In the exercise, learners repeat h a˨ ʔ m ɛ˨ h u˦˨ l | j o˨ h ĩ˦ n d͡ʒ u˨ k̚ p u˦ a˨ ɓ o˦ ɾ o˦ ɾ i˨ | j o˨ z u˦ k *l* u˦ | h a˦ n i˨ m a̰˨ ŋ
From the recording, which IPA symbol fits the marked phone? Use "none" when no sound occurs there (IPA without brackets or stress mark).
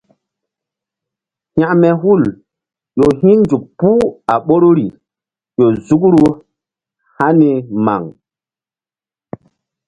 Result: ɾ